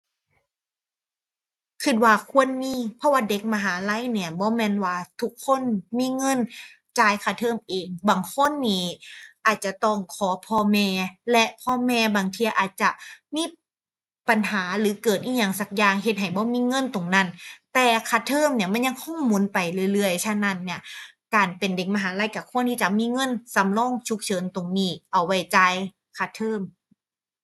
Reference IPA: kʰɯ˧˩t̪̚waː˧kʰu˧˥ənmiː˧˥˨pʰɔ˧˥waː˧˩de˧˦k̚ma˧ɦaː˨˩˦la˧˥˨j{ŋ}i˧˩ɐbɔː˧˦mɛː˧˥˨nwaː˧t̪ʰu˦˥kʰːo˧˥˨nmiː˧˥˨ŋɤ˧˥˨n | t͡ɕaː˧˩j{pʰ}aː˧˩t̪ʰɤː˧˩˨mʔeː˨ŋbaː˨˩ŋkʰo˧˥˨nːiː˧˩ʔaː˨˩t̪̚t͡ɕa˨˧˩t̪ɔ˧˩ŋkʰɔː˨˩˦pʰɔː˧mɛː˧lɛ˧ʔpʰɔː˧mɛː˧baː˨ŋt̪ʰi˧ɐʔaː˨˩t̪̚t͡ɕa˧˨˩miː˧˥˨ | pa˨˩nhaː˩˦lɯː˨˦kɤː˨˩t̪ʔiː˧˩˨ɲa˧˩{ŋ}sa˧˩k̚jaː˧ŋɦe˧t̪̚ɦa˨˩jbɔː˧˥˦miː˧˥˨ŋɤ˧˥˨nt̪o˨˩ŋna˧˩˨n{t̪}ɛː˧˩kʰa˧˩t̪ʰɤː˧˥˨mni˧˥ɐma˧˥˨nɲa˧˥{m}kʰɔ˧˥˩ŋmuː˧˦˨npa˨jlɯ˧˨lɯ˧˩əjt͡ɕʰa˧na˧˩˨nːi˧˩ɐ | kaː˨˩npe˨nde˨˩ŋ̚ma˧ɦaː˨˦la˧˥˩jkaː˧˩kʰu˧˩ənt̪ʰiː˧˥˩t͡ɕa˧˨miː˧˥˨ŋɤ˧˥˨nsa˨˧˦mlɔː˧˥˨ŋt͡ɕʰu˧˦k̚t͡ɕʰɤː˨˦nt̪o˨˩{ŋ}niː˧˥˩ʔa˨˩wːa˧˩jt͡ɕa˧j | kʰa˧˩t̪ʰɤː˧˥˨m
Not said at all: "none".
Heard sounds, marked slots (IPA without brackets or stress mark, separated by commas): n, kʰ, ŋ, t̪, ŋ, ŋ